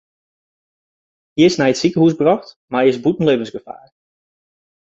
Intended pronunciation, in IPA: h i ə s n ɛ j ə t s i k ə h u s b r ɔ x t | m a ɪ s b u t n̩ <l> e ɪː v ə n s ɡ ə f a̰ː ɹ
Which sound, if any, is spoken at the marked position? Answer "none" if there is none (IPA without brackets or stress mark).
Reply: l